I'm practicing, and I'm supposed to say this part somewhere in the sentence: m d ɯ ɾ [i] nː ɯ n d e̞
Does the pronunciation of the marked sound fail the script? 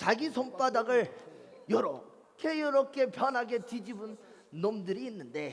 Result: yes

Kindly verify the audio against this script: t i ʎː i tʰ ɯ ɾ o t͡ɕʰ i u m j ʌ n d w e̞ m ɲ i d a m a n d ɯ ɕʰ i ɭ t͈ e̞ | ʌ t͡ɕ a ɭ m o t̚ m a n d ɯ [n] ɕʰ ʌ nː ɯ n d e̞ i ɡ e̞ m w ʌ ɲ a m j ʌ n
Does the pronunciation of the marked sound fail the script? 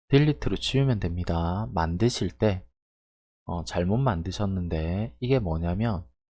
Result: yes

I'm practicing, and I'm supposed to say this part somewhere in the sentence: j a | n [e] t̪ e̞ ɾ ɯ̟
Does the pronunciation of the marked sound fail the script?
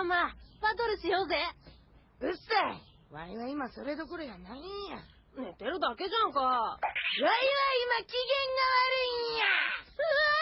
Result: no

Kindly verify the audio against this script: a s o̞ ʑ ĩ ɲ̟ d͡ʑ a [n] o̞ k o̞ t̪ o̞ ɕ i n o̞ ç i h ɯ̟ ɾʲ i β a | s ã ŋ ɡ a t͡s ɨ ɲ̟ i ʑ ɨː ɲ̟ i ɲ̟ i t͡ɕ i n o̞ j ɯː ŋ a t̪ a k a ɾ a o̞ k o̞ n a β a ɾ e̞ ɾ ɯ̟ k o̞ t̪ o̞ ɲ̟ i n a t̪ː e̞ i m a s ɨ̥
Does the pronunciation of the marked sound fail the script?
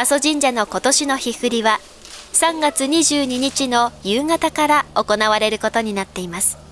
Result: no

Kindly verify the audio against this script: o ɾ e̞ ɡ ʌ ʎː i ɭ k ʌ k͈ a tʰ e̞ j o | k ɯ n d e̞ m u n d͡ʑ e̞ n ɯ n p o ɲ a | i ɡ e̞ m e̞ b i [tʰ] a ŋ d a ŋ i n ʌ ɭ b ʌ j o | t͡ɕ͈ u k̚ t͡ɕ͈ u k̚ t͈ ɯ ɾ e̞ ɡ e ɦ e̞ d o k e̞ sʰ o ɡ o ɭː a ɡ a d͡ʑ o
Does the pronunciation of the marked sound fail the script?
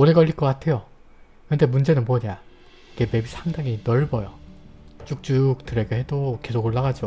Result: yes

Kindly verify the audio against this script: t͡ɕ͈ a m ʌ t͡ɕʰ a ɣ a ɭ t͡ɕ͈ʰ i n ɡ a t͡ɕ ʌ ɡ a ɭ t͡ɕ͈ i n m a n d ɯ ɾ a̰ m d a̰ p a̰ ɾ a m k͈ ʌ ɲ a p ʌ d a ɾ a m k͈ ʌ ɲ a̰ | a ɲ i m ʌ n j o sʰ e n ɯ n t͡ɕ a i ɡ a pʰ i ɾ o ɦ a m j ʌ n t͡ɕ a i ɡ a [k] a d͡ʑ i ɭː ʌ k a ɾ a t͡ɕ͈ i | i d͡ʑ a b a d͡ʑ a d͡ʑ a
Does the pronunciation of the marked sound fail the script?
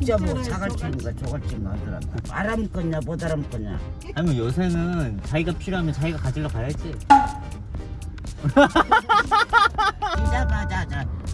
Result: no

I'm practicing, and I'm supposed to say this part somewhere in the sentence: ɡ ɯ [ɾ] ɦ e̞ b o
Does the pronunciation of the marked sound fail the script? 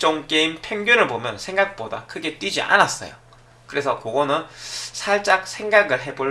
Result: yes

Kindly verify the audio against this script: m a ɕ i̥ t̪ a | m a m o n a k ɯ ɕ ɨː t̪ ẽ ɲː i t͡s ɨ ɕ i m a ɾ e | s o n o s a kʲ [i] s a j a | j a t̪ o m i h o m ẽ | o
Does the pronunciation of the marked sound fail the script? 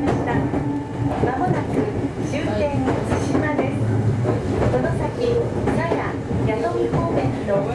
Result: no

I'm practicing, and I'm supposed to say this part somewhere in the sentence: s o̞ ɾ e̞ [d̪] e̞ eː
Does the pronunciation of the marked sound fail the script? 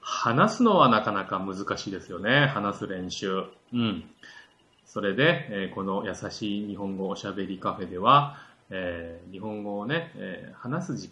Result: no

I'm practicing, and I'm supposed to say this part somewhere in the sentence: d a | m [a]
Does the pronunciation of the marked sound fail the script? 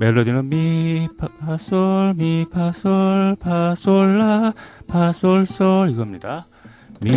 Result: yes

